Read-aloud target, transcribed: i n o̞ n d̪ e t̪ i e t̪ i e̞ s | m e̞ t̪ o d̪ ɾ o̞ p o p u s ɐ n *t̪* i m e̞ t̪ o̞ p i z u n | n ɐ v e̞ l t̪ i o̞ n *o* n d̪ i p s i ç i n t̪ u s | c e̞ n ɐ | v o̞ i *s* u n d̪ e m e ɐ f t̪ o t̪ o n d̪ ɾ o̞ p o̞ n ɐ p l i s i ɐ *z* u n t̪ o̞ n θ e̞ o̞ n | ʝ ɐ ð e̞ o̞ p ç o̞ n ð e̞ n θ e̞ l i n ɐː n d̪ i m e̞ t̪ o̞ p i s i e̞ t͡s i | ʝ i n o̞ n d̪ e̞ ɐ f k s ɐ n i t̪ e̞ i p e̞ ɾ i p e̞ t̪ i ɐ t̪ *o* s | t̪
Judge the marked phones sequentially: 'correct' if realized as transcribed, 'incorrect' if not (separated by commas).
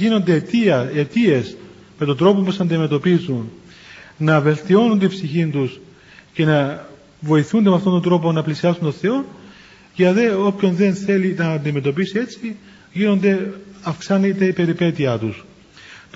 incorrect, incorrect, incorrect, incorrect, incorrect